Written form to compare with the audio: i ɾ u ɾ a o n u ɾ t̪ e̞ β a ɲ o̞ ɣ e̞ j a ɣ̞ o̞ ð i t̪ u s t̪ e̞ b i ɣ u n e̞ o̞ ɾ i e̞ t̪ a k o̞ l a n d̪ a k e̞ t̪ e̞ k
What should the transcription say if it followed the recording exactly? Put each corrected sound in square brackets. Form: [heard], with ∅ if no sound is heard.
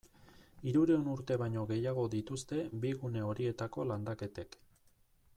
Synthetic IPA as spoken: i ɾ u ɾ [e] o n u ɾ t̪ e̞ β a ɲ o̞ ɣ e̞ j a ɣ̞ o̞ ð i t̪ u s t̪ e̞ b i ɣ u n e̞ o̞ ɾ i e̞ t̪ a k o̞ l a n d̪ a k e̞ t̪ e̞ k